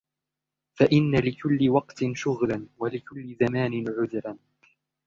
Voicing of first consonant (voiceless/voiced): voiceless